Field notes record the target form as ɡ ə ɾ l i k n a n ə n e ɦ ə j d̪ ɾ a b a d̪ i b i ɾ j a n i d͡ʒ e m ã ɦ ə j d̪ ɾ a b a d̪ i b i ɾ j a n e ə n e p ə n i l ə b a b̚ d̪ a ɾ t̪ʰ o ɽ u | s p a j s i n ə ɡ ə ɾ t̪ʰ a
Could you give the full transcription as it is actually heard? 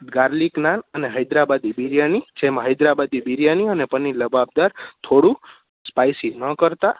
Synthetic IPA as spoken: ɡ a ɾ l i k n a n ə n e ɦ ə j d̪ ɾ a b a d̪ i b i ɾ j a n i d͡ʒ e m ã ɦ ə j d̪ ɾ a b a d̪ i b i ɾ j a n i ə n e p ə n i l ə b a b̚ d̪ a ɾ t̪ʰ o ɽ u | s p a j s i n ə k ə ɾ t̪ a